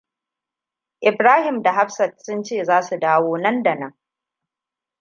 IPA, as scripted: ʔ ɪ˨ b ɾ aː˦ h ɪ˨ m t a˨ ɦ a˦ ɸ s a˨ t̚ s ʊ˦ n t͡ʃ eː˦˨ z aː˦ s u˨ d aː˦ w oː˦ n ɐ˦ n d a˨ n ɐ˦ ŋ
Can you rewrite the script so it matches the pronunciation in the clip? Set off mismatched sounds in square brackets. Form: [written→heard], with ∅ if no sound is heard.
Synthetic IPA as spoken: ʔ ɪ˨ b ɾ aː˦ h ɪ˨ m [t→d] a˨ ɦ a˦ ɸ s [a˨→ɐ˨] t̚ s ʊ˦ n t͡ʃ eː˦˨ z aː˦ s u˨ d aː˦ w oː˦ n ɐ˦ n d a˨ n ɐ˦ ŋ